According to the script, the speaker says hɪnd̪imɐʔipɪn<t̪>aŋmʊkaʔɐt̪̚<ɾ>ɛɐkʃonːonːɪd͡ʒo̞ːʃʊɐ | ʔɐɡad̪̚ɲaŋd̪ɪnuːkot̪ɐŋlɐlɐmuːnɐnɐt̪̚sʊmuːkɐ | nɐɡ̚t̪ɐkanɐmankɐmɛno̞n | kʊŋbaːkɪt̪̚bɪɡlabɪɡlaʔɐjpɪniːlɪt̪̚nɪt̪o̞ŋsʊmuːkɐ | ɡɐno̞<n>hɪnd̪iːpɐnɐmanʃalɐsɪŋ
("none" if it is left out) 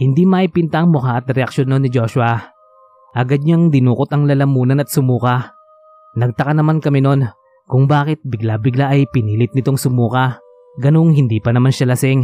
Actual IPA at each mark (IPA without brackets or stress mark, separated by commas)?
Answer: t̪, ɾ, ŋ